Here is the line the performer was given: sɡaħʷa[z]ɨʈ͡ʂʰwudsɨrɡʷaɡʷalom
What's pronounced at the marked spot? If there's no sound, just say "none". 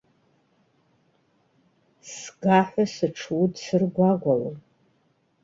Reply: s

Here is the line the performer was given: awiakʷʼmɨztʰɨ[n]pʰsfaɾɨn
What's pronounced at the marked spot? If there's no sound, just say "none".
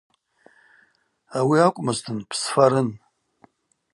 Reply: n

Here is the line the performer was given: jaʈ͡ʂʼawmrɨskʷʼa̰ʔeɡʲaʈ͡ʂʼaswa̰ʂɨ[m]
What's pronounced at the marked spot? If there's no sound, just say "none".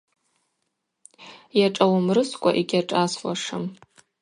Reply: m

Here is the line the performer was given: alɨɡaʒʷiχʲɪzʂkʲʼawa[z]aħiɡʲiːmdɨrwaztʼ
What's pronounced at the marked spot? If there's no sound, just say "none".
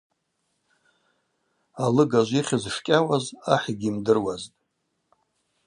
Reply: z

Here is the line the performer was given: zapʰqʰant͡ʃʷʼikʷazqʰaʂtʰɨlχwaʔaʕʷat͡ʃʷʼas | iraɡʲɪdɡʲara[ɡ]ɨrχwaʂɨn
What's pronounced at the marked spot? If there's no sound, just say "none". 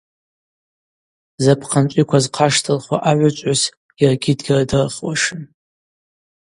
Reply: d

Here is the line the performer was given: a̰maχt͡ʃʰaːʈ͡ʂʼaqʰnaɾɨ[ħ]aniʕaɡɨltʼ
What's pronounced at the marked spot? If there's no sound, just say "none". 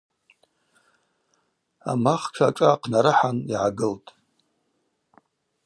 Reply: ħ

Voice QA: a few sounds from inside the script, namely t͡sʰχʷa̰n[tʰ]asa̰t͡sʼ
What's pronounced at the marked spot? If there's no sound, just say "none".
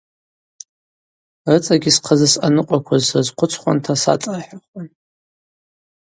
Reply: tʰ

